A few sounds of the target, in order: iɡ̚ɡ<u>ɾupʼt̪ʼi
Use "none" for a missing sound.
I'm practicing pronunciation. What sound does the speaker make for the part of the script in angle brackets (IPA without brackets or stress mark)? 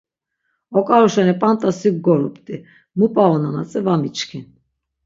ɔ